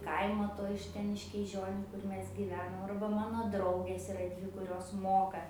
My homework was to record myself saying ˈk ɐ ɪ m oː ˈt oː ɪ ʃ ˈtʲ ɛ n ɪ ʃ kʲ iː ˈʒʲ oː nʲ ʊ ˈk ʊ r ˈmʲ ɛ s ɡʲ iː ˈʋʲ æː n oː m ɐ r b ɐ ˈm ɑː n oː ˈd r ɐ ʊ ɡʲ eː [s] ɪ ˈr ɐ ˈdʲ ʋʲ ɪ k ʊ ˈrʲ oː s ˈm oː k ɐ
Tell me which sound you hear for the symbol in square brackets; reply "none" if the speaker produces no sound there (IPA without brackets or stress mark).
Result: s